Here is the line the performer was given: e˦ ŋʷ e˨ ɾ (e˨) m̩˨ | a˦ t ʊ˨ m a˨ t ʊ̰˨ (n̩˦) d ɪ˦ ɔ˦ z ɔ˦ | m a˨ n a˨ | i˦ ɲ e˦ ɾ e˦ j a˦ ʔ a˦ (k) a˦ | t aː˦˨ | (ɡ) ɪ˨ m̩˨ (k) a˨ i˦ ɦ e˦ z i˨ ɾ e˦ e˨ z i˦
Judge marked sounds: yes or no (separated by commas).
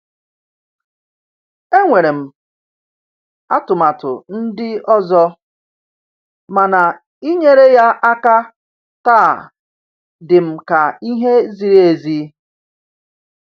yes, yes, yes, no, yes